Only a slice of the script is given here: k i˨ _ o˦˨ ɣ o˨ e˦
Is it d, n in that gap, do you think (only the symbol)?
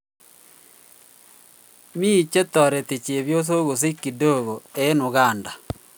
d